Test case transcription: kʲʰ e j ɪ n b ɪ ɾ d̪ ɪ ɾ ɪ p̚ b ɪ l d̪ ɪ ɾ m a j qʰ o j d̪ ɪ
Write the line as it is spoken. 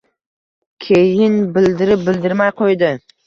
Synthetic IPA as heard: kʲʰ e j ɪ n b ɪ l d̪ ɪ ɾ ɪ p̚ b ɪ l d̪ ɪ ɾ m a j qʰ o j d̪ ɪ